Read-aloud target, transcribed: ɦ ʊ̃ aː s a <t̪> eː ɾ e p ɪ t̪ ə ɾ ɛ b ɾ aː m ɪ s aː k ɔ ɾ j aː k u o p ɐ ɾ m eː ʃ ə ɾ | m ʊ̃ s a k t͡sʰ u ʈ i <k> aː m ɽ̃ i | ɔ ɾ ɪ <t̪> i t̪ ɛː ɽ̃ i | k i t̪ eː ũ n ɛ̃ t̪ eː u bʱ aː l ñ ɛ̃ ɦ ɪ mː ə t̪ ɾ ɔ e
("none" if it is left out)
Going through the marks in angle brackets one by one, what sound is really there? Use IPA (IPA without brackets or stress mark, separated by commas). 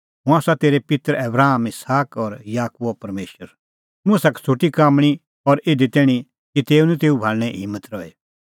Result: t̪, k, d̪